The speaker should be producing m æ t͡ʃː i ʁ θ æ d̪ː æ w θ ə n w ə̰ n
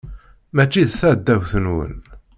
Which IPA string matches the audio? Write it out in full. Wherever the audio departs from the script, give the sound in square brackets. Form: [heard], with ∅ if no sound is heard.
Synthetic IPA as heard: m æ t͡ʃː i [ð] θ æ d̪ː æ w θ ə n w ə̰ n